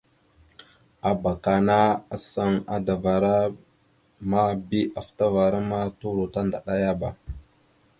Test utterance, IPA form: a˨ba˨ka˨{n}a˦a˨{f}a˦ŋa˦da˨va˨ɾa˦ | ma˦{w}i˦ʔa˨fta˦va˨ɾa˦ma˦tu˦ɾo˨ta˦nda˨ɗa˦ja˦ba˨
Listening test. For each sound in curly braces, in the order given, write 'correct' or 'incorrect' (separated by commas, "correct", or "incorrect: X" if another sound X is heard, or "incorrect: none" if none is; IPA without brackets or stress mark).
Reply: correct, incorrect: s, incorrect: b